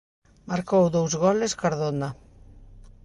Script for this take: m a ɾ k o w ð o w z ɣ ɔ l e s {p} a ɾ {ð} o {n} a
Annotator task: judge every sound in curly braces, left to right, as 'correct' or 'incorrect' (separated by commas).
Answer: incorrect, correct, correct